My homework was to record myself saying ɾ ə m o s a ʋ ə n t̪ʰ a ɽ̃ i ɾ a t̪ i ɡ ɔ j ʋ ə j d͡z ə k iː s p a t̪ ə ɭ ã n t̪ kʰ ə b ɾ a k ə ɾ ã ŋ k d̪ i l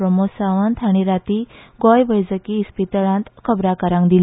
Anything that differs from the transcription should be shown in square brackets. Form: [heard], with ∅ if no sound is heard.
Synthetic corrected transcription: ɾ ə m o s a ʋ ə n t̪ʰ a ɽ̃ i ɾ a t̪ i ɡ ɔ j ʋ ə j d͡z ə k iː s p [i] t̪ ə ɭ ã n t̪ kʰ ə b ɾ a k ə ɾ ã ŋ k d̪ i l